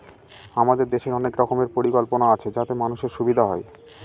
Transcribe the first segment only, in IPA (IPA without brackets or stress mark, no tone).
a